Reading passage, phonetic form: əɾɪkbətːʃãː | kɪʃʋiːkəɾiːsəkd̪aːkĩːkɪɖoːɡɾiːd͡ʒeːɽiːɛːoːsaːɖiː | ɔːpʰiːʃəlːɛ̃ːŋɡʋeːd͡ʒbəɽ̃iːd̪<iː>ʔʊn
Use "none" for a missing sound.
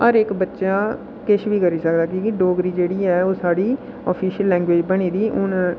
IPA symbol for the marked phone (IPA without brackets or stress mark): iː